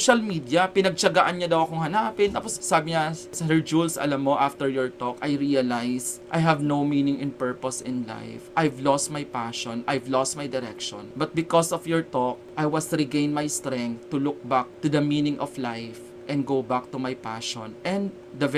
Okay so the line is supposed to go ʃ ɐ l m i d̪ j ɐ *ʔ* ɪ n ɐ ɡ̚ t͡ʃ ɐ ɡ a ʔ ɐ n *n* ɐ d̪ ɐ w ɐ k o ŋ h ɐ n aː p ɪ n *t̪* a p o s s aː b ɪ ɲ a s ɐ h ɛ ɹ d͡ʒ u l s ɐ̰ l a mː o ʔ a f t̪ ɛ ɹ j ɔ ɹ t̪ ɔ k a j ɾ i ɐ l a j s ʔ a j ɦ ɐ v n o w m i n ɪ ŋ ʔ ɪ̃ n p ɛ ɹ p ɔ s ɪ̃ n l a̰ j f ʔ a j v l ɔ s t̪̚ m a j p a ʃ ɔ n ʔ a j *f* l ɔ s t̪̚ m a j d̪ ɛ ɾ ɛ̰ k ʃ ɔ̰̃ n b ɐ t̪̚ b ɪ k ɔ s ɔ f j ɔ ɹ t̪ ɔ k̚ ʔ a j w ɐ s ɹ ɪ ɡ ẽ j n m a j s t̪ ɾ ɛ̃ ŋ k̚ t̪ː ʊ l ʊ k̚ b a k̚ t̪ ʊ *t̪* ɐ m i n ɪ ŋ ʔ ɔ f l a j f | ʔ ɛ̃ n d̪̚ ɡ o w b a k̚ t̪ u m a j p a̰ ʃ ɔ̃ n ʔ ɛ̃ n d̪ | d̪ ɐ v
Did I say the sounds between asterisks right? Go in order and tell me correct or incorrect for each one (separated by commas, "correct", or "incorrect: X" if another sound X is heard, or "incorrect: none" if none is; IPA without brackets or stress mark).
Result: incorrect: p, incorrect: ɲ, correct, incorrect: v, incorrect: d̪